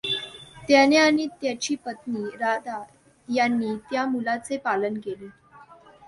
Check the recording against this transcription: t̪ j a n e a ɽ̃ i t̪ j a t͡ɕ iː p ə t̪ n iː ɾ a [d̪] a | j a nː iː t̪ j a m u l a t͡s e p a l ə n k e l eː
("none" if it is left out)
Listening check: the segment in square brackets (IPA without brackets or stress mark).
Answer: d̪